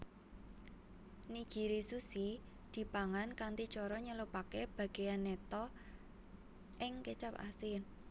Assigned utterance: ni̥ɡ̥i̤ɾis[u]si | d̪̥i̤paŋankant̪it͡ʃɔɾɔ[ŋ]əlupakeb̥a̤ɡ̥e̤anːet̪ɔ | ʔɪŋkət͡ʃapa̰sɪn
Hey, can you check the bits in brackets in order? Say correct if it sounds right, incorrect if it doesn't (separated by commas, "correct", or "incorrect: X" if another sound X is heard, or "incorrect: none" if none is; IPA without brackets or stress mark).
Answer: correct, incorrect: ɲ